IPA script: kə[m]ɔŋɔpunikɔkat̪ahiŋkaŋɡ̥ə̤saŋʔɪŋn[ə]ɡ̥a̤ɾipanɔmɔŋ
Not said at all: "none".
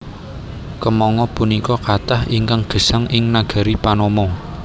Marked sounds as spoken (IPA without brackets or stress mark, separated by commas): m, a